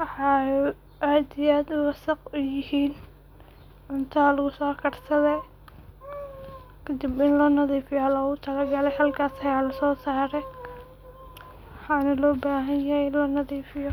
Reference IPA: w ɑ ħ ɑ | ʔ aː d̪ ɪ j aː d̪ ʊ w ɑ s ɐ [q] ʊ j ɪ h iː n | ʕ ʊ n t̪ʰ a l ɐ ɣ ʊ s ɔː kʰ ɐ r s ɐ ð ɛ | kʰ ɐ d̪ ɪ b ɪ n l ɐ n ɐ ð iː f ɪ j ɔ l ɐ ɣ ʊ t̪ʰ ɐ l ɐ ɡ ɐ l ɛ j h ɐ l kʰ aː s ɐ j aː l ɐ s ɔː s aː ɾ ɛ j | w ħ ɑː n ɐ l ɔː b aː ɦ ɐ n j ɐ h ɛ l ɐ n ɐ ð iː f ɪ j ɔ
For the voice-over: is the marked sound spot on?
yes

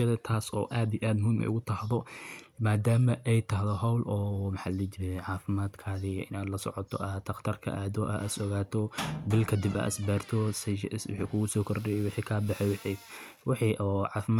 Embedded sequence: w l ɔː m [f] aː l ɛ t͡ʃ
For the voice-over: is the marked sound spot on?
no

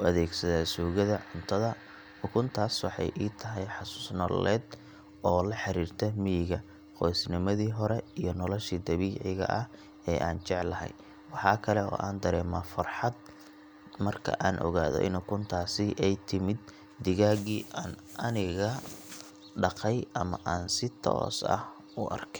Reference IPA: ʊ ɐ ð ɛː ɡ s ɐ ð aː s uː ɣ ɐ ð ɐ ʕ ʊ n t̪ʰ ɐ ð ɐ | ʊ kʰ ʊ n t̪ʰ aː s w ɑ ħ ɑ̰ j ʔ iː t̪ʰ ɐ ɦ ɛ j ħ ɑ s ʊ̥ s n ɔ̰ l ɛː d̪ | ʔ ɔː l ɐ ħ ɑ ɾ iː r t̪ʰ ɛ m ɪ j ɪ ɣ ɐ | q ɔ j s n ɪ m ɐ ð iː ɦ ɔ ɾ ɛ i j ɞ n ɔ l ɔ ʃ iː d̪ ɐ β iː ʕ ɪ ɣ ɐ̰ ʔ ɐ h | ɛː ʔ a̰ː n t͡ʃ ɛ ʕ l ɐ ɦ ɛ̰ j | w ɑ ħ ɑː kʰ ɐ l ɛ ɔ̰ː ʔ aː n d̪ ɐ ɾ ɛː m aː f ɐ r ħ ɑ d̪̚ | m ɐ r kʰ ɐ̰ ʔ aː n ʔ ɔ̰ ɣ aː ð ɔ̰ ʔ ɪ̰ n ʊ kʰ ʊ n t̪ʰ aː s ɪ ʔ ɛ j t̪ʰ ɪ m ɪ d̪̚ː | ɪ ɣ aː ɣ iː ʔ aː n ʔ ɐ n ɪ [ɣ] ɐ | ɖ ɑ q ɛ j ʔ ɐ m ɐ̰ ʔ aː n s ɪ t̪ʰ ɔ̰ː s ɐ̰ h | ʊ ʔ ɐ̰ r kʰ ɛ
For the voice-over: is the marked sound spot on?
yes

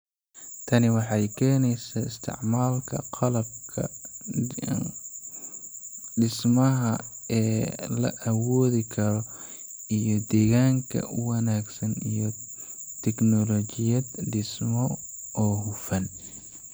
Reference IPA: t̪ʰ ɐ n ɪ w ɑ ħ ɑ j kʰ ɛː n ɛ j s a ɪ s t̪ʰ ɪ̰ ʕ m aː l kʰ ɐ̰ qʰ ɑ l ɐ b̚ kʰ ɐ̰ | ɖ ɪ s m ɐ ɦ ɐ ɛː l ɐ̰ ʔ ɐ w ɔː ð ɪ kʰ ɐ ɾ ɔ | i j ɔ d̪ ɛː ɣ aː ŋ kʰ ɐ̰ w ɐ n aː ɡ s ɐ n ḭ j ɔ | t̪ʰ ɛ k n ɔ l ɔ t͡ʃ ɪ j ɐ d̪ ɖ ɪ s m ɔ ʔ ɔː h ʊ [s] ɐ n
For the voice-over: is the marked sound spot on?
no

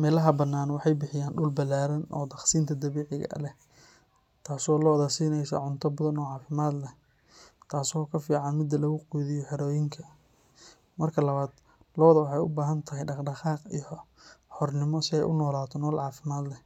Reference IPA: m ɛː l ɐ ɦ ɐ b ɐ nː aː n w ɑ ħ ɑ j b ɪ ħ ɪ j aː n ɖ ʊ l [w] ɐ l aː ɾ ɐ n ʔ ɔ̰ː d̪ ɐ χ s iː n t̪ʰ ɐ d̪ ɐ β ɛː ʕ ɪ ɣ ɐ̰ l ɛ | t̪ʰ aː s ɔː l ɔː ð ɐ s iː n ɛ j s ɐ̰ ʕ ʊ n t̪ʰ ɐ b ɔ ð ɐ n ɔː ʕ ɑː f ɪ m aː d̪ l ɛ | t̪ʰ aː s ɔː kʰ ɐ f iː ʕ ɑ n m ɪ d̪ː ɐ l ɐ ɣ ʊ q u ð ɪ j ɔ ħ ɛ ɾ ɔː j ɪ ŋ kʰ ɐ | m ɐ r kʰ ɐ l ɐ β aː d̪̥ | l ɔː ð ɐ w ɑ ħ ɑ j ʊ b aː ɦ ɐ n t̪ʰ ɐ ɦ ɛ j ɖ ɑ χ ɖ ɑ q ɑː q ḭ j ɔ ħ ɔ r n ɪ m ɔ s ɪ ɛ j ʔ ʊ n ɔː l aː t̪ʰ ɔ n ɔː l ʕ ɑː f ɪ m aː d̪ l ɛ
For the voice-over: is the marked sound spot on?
no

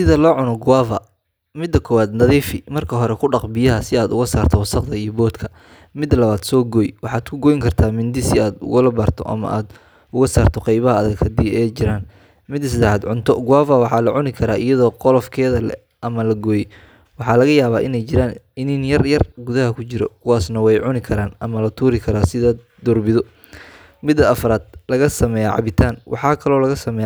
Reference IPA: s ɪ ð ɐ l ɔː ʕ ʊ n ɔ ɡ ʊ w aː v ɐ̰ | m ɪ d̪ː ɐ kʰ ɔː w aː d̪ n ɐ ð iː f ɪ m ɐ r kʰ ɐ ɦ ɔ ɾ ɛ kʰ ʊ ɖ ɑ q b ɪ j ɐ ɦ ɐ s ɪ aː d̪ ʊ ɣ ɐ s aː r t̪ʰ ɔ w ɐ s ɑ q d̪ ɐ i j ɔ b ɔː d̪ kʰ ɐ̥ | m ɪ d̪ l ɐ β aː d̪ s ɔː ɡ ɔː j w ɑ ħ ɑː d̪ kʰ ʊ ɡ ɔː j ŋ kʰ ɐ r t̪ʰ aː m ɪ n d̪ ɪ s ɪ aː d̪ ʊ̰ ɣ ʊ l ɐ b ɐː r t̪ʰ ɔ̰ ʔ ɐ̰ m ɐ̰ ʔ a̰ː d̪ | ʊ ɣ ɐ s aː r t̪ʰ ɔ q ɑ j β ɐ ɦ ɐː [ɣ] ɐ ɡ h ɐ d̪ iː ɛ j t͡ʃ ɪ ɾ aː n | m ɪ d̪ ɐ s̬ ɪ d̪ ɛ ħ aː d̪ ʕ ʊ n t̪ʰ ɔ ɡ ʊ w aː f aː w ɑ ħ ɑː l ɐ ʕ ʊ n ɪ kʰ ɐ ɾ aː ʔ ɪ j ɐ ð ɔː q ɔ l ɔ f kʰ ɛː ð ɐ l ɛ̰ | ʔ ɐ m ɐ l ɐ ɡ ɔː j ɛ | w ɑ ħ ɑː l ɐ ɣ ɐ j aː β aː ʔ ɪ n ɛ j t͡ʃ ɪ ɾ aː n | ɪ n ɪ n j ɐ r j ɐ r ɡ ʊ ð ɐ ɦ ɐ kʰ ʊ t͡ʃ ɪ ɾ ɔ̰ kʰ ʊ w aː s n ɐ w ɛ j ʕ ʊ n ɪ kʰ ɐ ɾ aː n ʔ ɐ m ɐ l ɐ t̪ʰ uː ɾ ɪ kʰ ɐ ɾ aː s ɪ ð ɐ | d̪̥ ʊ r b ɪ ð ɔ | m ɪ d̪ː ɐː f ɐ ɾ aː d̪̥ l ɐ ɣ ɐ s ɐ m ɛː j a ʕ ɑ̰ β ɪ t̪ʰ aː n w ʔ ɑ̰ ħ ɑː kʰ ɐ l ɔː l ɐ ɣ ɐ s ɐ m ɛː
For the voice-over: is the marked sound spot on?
no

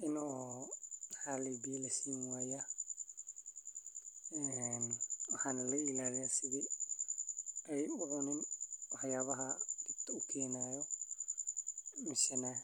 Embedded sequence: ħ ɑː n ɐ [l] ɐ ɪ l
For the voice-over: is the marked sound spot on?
yes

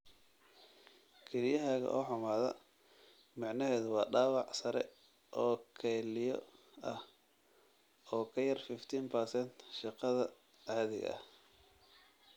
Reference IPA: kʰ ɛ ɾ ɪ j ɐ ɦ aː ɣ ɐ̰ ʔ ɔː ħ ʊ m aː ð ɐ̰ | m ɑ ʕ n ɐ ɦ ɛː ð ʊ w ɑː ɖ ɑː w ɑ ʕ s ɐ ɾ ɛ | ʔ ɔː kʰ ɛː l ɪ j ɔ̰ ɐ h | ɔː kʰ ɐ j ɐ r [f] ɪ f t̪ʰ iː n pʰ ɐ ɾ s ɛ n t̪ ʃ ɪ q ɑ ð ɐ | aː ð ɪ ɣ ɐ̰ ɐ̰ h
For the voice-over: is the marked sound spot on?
yes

